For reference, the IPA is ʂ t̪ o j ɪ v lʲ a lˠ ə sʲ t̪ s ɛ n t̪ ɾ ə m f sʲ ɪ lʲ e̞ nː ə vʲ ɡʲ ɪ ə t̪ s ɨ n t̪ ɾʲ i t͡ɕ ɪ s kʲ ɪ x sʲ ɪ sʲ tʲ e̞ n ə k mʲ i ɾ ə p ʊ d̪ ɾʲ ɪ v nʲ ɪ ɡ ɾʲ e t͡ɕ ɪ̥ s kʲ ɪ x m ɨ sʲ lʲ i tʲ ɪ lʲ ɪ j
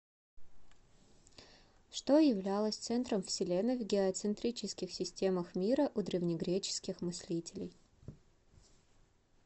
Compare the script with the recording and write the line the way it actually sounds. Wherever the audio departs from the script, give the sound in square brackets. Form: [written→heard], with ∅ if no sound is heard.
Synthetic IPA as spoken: ʂ t̪ o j ɪ v lʲ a lˠ ə sʲ t̪ s ɛ n t̪ ɾ ə m f sʲ ɪ lʲ e̞ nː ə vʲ ɡʲ ɪ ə t̪ s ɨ n t̪ ɾʲ i t͡ɕ ɪ s kʲ ɪ x sʲ ɪ sʲ tʲ e̞ [n→m] ə [k→x] mʲ i ɾ ə [p→ʔ] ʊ d̪ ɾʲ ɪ v nʲ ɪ ɡ ɾʲ e t͡ɕ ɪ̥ s kʲ ɪ x m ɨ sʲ lʲ i tʲ ɪ lʲ ɪ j